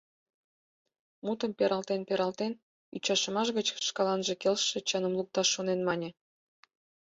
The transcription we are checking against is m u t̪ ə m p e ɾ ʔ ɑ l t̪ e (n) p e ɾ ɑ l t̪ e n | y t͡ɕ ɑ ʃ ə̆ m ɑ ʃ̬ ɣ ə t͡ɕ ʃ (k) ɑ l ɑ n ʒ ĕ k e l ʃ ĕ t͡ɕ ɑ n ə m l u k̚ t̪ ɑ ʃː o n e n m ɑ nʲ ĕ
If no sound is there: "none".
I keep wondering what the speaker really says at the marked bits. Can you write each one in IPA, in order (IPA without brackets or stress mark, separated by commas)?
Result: n, k